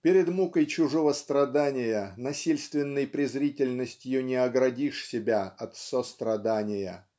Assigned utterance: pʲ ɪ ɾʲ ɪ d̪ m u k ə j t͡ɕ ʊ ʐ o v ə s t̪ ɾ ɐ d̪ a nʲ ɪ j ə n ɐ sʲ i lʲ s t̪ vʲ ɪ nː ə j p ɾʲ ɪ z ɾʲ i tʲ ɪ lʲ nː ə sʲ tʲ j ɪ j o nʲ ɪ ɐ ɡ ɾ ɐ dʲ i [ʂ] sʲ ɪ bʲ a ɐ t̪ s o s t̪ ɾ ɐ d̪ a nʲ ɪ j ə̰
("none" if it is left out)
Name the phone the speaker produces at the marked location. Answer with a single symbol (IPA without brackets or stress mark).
ʂ